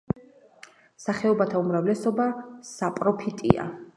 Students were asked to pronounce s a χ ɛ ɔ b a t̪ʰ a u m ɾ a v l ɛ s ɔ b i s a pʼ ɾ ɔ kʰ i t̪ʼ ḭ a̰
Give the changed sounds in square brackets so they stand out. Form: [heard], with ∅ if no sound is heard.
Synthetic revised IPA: s a χ ɛ ɔ b a t̪ʰ a u m ɾ a v l ɛ s ɔ b [a] s a pʼ ɾ ɔ [pʰ] i t̪ʼ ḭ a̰

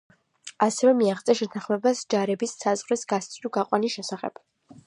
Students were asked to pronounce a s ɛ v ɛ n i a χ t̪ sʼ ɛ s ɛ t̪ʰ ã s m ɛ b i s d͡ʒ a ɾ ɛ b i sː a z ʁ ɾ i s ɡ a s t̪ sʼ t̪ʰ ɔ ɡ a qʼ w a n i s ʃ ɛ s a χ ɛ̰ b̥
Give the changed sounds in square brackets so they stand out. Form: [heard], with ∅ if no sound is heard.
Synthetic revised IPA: a s ɛ v ɛ [m] i a χ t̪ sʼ ɛ [ʃ] ɛ t̪ʰ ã [χ] m ɛ b [a] s d͡ʒ a ɾ ɛ b i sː a z ʁ ɾ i s ɡ a s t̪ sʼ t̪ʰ [u] ɡ a qʼ w a n i s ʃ ɛ s a χ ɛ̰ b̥

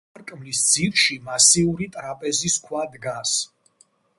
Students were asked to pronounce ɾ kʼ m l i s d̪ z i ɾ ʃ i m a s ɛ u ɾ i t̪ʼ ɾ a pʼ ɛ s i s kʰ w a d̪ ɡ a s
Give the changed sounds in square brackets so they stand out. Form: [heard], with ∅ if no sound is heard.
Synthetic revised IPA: ɾ kʼ m l i s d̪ z i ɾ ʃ i m a s [i] u ɾ i t̪ʼ ɾ a pʼ ɛ [z] i s kʰ w a d̪ ɡ a s

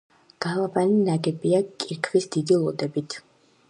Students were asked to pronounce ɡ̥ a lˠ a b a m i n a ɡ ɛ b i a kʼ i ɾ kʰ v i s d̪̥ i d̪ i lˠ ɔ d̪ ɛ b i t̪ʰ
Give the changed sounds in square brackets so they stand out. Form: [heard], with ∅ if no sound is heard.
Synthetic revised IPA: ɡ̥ a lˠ a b a [n] i n a ɡ ɛ b i a kʼ i ɾ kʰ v i s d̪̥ i d̪ i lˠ ɔ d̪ ɛ b i t̪ʰ

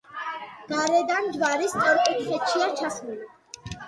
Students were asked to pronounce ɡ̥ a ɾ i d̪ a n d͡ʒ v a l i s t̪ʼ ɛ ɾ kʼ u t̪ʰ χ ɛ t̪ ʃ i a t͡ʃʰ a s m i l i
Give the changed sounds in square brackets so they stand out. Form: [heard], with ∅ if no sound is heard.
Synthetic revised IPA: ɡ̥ a ɾ [ɛ] d̪ a n d͡ʒ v a [ɾ] i s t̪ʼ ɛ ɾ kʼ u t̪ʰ χ ɛ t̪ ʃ i a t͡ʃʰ a s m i l i

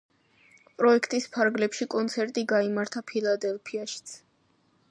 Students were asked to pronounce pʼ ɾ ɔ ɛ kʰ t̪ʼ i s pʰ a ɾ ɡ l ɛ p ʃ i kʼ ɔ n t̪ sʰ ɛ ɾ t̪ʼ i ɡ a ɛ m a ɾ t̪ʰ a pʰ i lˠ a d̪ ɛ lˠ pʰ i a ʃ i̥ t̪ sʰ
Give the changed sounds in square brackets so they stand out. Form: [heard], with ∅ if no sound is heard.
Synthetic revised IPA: pʼ ɾ ɔ ɛ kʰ t̪ʼ i s pʰ a ɾ ɡ l ɛ p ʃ i kʼ ɔ n t̪ sʰ ɛ ɾ t̪ʼ i ɡ a [i] m a ɾ t̪ʰ a pʰ i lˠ a d̪ ɛ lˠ pʰ i a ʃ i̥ t̪ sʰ

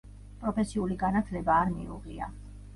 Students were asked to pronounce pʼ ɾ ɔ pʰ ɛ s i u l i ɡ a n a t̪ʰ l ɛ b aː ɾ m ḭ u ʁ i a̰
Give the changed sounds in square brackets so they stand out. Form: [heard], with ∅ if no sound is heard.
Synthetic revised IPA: pʼ ɾ ɔ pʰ ɛ s i u l i ɡ a n a t̪ʰ l ɛ b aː ɾ m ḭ u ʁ i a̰

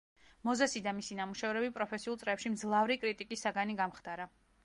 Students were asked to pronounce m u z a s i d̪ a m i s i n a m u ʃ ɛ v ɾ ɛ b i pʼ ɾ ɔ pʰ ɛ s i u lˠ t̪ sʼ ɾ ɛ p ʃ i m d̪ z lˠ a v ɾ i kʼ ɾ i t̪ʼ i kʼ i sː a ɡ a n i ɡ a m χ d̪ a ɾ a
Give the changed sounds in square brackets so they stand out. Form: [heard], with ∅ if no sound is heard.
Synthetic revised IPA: m [ɔ] z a s i d̪ a m i s i n a m u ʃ ɛ v ɾ ɛ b i pʼ ɾ ɔ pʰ ɛ s i u lˠ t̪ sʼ ɾ ɛ p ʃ i m d̪ z lˠ a v ɾ i kʼ ɾ i t̪ʼ i kʼ i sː a ɡ a n i ɡ a m χ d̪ a ɾ a

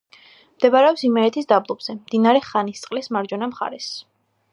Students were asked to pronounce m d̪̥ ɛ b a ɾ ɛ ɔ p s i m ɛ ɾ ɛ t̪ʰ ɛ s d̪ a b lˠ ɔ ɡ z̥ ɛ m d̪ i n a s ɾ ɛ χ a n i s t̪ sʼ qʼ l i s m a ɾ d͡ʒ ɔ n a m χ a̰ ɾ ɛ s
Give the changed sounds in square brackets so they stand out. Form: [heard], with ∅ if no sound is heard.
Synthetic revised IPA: m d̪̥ ɛ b a ɾ ɛ ɔ p s i m ɛ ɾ ɛ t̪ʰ [i] s d̪ a b lˠ ɔ [b] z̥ ɛ m d̪ i n a [∅] ɾ ɛ χ a n i s t̪ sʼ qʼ l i s m a ɾ d͡ʒ ɔ n a m χ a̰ ɾ ɛ s

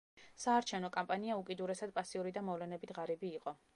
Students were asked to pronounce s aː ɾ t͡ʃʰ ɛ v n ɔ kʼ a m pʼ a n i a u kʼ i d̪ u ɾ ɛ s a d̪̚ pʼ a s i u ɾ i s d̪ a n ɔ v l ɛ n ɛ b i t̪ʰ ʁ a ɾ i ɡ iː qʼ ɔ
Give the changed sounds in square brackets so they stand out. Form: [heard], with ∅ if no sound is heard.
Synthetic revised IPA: s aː ɾ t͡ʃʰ ɛ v n ɔ kʼ a m pʼ a n i a u kʼ i d̪ u ɾ ɛ s a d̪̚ pʼ a s i u ɾ i [∅] d̪ a [m] ɔ v l ɛ n ɛ b i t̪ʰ ʁ a ɾ i [b] iː qʼ ɔ

